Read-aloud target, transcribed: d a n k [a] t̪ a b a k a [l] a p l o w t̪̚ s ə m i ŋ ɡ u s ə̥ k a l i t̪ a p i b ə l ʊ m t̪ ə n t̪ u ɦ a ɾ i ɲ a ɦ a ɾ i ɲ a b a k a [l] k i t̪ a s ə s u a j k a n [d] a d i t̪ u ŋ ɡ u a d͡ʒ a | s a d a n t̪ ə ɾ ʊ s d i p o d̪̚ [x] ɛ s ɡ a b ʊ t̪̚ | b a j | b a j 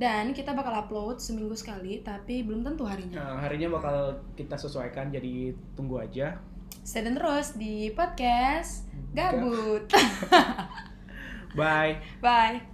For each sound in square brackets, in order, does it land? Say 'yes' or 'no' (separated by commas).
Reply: no, yes, yes, no, no